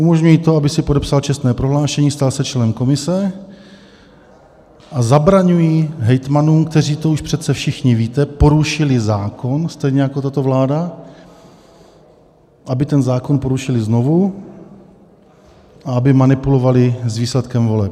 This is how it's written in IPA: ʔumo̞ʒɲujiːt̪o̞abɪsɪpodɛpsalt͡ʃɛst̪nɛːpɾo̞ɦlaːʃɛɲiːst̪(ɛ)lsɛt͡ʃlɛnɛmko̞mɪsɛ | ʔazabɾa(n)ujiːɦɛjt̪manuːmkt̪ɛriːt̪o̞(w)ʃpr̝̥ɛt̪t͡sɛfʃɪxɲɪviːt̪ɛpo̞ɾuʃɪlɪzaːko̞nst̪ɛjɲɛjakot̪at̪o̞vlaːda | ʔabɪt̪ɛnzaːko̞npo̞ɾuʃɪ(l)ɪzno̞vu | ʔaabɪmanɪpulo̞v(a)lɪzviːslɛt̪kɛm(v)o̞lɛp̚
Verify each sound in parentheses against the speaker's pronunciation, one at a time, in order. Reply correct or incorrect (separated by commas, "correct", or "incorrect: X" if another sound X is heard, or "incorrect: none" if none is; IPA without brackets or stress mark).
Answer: incorrect: a, incorrect: ɲ, incorrect: u, correct, correct, correct